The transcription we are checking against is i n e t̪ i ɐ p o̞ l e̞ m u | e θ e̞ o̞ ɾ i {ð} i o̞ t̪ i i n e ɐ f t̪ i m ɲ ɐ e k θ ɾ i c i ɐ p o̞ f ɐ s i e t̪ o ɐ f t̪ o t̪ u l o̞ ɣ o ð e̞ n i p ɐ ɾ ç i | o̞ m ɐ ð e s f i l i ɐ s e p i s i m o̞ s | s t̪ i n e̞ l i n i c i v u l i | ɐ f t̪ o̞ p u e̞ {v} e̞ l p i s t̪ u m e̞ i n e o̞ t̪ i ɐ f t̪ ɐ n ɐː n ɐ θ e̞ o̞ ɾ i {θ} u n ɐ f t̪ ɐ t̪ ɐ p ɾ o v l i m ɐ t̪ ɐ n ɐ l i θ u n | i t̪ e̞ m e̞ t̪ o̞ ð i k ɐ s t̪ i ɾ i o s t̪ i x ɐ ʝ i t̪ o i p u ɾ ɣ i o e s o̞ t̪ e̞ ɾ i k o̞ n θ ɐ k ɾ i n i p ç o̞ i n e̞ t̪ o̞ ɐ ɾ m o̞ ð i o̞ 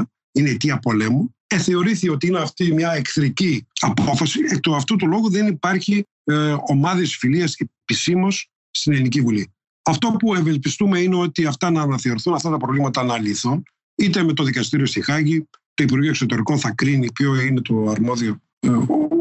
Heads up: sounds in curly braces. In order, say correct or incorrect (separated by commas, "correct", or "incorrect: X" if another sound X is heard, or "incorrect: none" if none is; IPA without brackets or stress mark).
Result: incorrect: θ, correct, correct